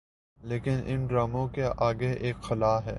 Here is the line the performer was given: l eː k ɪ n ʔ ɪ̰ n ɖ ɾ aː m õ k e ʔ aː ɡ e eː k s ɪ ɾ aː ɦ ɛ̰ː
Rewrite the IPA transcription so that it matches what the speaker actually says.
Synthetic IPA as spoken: l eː k ɪ n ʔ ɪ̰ n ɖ ɾ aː m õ k e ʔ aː ɡ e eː k x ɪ l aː ɦ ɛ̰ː

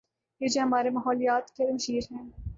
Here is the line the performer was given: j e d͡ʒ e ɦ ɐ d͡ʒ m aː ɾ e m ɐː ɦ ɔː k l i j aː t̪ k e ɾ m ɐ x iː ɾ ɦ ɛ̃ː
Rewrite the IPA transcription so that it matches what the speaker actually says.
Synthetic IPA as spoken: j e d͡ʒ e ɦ ɐ m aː ɾ e m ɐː ɦ ɔː l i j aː t̪ k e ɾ m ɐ ʃ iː ɾ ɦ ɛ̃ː

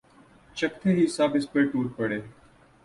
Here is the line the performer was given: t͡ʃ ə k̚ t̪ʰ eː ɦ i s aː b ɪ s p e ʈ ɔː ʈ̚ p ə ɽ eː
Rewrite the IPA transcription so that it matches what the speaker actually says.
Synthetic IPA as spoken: t͡ʃ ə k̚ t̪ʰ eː ɦ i s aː b ɪ s p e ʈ uː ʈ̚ p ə ɽ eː

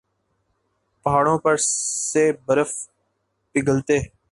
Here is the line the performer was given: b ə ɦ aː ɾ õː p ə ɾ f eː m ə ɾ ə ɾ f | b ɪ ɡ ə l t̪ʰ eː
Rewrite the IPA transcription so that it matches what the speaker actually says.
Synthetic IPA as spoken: p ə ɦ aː ɽ õː p ə ɾ s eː b ə ɾ ə f | p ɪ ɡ ə l t̪ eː

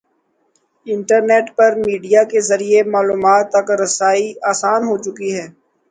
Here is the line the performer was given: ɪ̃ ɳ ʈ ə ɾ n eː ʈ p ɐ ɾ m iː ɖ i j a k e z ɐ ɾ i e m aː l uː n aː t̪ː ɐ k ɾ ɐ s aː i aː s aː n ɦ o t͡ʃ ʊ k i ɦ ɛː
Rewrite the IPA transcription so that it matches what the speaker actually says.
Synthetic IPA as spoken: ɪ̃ ɳ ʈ ə ɾ n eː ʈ p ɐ ɾ m iː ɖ i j a k e z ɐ ɾ i e m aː l uː m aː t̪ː ɐ k ɾ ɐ s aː i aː s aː n ɦ o t͡ʃ ʊ k i ɦ ɛː

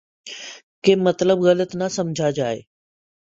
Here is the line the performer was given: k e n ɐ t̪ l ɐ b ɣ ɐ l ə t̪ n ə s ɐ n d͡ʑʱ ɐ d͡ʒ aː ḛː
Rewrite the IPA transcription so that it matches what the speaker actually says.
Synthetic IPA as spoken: k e m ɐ t̪ l ə b ɣ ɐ l ə t̪ n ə s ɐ m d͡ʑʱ a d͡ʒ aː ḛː

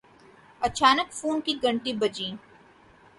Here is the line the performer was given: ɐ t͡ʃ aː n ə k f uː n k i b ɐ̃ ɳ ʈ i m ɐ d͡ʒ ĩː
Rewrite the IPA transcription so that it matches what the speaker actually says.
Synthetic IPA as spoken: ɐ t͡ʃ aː n ə k f uː n k i ɡ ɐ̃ ɳ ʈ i b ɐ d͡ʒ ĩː

